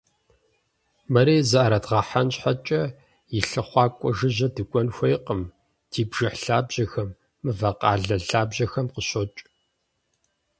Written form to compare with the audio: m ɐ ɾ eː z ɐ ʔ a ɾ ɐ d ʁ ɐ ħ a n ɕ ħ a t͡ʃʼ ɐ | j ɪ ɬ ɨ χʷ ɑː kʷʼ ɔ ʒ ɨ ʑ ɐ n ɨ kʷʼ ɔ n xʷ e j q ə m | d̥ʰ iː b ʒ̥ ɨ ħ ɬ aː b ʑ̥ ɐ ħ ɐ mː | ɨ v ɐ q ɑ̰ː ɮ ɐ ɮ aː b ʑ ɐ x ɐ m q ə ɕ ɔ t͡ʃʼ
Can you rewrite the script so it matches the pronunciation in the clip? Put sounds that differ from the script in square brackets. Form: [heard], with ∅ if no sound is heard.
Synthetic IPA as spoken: m ɐ ɾ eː z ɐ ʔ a ɾ ɐ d ʁ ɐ ħ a n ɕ ħ a t͡ʃʼ ɐ | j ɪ ɬ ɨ χʷ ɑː kʷʼ ɔ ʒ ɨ ʑ ɐ [d] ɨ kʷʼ ɔ n xʷ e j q ə m | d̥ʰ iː b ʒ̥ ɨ ħ ɬ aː b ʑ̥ ɐ [x] ɐ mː | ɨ v ɐ q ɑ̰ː ɮ ɐ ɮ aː b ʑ ɐ x ɐ m q ə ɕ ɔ t͡ʃʼ